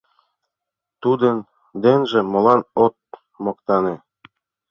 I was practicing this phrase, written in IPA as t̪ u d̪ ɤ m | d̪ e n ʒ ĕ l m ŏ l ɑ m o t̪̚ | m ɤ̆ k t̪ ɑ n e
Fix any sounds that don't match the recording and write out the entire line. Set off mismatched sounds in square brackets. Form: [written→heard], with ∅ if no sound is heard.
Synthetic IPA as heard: t̪ u d̪ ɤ [m→n] | d̪ e n ʒ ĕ [l→∅] m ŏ l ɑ [m→n] o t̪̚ | m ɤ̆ k t̪ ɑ n e